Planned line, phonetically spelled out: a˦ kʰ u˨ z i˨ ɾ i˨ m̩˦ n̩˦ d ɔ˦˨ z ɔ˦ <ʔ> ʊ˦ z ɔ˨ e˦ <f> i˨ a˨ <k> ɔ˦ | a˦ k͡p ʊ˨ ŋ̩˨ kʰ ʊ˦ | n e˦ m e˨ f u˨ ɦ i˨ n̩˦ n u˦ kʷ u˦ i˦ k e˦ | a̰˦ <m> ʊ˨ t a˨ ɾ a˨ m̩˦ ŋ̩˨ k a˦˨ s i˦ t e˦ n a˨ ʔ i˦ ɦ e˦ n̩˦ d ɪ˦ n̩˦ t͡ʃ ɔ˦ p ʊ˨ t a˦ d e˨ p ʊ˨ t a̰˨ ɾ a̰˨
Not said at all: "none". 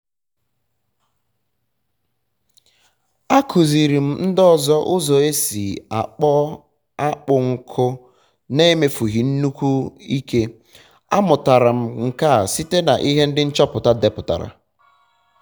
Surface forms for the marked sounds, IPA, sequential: ʔ, s, k͡p, m

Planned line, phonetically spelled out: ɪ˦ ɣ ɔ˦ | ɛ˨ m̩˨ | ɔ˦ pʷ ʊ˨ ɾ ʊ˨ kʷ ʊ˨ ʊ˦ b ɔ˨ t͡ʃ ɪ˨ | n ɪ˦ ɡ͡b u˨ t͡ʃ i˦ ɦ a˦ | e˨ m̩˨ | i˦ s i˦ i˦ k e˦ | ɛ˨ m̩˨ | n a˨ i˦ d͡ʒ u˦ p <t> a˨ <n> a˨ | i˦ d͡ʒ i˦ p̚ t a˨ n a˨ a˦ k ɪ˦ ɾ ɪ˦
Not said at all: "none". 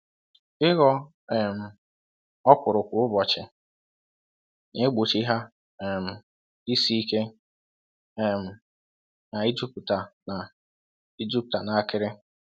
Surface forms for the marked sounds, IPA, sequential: t, n

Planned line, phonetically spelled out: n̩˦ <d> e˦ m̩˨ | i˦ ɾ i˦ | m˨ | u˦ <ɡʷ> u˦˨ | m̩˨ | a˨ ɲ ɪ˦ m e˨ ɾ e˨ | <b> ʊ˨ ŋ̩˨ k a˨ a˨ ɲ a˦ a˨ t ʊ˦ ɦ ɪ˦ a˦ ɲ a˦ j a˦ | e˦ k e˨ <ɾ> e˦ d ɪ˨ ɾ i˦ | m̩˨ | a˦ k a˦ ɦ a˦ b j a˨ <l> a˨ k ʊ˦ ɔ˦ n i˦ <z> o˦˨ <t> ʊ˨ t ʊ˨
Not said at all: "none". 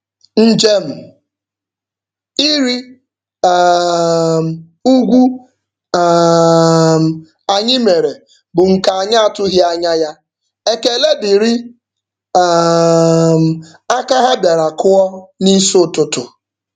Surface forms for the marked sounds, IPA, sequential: d͡ʒ, ɡʷ, b, l, ɾ, s, t

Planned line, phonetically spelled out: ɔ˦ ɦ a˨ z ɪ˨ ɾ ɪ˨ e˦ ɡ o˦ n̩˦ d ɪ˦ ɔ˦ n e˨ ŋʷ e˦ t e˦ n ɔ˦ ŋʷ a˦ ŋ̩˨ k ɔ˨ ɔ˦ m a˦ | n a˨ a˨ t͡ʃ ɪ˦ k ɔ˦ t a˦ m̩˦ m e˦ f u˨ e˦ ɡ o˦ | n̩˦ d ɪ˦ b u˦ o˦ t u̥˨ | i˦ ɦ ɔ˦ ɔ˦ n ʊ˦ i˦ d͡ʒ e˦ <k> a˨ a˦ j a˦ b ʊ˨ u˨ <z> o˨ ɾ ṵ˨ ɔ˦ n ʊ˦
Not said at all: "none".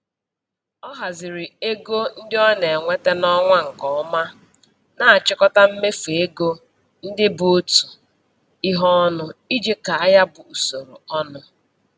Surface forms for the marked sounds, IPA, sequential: k, s

